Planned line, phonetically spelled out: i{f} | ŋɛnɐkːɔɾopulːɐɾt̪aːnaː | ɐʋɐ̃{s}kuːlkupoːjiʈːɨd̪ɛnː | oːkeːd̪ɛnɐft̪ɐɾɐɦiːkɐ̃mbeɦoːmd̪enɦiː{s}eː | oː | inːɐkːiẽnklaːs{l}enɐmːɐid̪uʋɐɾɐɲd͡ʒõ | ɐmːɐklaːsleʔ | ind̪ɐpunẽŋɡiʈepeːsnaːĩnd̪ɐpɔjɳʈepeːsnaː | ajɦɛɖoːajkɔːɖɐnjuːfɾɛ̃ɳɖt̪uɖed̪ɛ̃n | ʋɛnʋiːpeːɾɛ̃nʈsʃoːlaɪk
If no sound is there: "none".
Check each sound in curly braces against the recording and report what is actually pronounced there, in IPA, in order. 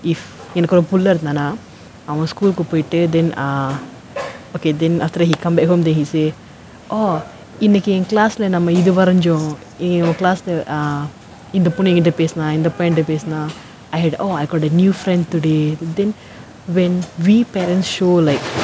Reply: f, s, s, l

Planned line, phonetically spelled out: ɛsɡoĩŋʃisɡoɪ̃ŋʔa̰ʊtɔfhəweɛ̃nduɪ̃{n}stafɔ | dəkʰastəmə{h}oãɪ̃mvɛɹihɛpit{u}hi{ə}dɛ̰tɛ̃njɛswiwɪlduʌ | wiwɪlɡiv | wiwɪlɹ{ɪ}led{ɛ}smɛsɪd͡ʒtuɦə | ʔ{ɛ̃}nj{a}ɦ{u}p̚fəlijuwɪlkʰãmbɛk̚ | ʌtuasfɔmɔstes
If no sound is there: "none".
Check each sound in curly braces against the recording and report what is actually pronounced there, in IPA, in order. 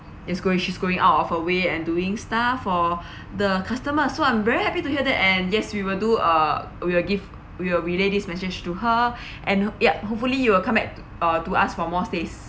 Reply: ŋ, s, u, ə, i, i, ɛ̃, a, o

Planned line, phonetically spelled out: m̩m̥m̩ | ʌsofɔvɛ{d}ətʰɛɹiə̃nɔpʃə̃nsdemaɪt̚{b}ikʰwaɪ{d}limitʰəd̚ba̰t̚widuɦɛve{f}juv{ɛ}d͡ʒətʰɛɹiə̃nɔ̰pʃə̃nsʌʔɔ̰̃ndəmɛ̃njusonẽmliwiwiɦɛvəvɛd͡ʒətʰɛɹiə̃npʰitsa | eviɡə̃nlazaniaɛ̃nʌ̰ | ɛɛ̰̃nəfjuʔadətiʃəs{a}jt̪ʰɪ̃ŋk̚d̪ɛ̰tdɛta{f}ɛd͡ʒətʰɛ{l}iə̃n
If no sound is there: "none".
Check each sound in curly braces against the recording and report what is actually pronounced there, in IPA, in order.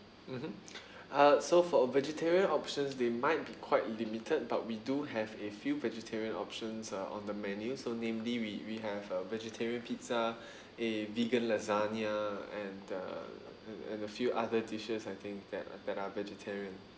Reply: d͡ʒ, b, t, f, ɛ, a, v, ɹ

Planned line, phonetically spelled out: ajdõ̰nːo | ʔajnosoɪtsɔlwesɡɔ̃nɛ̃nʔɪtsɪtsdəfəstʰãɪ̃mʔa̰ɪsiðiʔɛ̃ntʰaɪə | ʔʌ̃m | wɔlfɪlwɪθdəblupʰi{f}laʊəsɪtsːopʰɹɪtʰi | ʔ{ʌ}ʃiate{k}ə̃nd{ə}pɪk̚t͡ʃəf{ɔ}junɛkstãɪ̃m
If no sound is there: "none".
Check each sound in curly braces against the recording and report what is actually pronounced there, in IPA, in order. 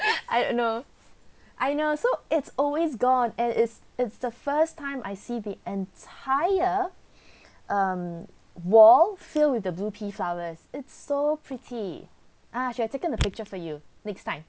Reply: f, a, k, ə, ɔ

